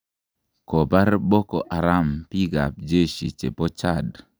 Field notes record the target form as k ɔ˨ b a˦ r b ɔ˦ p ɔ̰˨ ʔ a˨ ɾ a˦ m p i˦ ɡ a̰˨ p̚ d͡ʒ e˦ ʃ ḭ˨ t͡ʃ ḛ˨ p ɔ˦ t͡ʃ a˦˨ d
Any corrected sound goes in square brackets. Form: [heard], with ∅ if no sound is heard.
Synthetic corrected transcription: k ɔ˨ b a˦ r b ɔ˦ [k] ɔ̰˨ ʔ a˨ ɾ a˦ m p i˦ ɡ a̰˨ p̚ d͡ʒ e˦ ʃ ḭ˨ t͡ʃ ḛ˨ p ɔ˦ t͡ʃ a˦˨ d